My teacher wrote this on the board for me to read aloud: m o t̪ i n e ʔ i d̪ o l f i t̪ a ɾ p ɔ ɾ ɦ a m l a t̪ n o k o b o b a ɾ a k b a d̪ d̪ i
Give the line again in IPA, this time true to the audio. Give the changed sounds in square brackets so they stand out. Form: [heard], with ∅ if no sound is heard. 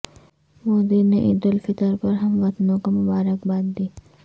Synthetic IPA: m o [d̪] i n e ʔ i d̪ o l f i t̪ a ɾ p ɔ ɾ ɦ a m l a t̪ n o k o [m] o b a ɾ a k b a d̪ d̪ i